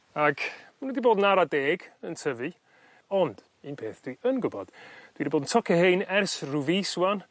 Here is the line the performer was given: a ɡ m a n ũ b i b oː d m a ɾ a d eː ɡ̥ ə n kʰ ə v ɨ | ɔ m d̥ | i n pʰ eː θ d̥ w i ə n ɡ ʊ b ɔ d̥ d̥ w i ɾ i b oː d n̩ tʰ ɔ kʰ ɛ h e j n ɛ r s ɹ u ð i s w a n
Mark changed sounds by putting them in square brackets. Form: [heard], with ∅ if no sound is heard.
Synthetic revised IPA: a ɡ m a n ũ [d] i b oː d [n] a ɾ a d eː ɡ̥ ə n [tʰ] ə v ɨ | ɔ [n] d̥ | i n pʰ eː θ d̥ w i ə n ɡ ʊ b ɔ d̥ d̥ w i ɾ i b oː d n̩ tʰ ɔ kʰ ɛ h e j n ɛ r s [r] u [v] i s w a n